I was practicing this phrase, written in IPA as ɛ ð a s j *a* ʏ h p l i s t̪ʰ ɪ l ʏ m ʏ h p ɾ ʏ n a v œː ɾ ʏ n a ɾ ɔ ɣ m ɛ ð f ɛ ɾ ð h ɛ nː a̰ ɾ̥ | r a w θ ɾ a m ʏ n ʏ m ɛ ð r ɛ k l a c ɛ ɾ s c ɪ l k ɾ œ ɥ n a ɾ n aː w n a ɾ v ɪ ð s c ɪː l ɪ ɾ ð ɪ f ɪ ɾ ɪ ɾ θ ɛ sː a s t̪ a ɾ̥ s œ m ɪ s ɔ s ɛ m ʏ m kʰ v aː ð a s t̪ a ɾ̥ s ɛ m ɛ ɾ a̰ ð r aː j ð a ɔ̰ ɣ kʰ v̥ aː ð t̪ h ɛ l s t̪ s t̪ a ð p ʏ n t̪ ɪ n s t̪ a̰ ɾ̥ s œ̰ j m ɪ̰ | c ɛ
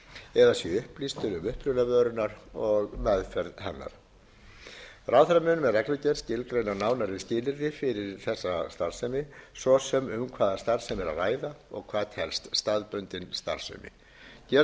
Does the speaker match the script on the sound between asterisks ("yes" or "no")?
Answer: no